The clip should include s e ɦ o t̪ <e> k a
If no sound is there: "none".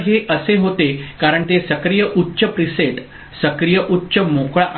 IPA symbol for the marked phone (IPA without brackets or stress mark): e